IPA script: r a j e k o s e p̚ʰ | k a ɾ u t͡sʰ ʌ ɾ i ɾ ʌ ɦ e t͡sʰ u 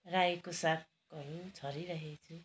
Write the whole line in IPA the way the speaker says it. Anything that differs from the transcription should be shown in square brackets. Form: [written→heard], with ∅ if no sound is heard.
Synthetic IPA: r a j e k o s [e→a] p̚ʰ | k [a→ʌ] ɾ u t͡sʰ ʌ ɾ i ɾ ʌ ɦ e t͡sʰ u